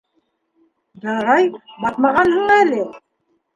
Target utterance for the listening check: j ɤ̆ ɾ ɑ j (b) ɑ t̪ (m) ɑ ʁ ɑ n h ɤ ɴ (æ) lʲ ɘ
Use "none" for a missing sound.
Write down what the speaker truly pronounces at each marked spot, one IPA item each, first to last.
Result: b, m, æ

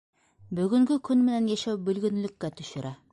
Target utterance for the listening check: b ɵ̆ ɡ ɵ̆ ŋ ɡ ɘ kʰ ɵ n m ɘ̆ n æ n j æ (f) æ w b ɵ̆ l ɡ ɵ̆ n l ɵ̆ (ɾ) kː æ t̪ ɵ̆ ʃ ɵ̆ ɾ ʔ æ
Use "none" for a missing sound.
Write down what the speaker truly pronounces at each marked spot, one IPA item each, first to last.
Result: ʃ, none

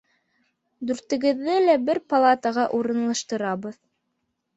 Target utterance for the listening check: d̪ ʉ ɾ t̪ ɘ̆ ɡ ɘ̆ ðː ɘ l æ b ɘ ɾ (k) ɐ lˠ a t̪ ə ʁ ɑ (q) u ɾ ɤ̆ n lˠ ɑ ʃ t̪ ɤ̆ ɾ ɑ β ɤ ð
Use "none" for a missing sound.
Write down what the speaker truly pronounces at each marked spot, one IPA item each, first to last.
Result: p, ʔ

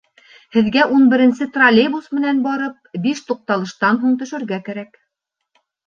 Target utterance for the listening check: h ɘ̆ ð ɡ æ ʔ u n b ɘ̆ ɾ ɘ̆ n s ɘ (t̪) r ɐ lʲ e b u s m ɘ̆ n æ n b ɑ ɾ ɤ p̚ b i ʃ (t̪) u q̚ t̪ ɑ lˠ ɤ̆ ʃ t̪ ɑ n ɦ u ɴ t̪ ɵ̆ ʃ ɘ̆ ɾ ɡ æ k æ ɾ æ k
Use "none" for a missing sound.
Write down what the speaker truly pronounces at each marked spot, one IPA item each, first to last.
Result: t̪, t̪

